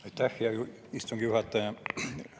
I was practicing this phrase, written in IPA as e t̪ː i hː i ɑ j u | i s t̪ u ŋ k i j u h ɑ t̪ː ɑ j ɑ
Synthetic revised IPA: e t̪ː æ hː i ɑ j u | i s t̪ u ŋ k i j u h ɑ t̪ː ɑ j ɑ